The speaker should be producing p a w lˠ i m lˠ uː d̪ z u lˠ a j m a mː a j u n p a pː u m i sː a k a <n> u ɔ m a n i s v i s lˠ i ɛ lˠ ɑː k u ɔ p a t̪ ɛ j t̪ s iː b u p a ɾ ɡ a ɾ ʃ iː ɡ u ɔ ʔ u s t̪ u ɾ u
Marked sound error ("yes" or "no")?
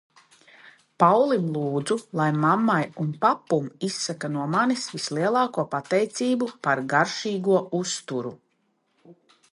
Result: no